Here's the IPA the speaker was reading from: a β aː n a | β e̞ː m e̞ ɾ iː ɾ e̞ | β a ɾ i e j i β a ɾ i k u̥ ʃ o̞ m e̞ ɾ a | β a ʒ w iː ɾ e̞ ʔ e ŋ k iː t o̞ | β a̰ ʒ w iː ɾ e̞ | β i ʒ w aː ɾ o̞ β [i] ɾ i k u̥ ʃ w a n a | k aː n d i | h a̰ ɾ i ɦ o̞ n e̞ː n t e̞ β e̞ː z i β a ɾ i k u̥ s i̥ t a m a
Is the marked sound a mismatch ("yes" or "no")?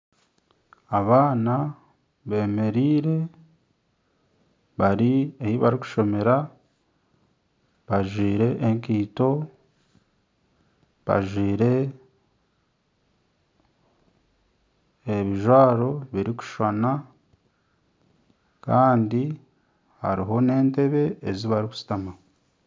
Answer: no